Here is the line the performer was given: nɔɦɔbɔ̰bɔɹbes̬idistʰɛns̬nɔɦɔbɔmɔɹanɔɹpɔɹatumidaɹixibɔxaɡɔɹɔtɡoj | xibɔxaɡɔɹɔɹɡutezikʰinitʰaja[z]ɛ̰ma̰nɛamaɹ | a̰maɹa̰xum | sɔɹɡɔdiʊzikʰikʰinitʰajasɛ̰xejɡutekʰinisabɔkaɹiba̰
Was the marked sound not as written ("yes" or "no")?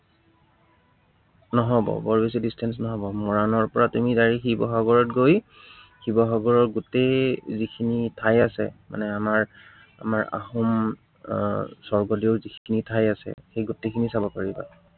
yes